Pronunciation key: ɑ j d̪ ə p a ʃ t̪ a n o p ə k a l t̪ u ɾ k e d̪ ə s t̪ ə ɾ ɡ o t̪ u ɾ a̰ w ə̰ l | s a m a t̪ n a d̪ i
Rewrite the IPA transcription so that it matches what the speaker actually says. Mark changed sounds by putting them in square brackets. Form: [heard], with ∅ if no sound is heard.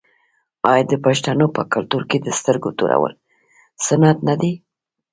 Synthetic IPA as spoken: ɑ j d̪ ə p a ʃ t̪ a n o p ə k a l t̪ u ɾ k e d̪ ə s t̪ ə ɾ ɡ o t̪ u ɾ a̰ w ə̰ l | s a [n] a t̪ n a d̪ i